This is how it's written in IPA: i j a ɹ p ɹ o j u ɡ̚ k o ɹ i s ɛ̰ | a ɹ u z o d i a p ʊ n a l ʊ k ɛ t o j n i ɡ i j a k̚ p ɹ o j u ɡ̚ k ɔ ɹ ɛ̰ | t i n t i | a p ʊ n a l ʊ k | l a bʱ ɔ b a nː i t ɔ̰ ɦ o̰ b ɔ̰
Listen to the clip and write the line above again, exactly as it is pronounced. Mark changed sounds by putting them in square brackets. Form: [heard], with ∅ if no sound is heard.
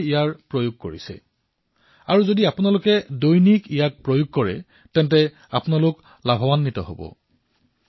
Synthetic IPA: i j a ɹ p ɹ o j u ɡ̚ k o ɹ i s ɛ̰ | a ɹ u z o d i a p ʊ n a l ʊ k ɛ [d] o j n i [k] i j a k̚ p ɹ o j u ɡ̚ k ɔ ɹ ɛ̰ | t [ɛ] n t [ɛ] | a p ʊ n a l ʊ k | l a bʱ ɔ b a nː i t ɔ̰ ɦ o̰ b ɔ̰